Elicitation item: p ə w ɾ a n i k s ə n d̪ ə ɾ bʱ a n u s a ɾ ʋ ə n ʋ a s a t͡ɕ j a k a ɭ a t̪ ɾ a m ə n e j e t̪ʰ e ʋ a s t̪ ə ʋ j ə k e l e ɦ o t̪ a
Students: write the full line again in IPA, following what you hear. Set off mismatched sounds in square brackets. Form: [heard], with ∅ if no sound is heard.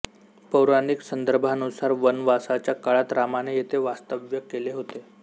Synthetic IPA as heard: p ə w ɾ a n i k s ə n d̪ ə ɾ bʱ a n u s a ɾ ʋ ə n ʋ a s a t͡ɕ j a k a ɭ a t̪ ɾ a m [a] n e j e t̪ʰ e ʋ a s t̪ ə ʋ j ə k e l e ɦ o t̪ [e]